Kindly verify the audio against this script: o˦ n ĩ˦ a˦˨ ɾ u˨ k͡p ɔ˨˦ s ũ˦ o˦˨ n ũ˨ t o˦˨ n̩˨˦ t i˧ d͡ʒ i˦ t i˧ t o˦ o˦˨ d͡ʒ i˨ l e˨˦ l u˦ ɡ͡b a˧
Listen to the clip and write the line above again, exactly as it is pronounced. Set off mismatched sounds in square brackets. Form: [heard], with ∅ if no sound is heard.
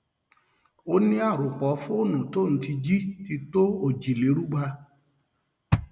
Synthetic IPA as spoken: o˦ n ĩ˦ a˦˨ ɾ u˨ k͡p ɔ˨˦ [f] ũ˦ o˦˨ n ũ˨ t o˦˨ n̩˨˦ t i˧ d͡ʒ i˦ t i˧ t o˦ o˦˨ d͡ʒ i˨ l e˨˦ [ɾ] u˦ ɡ͡b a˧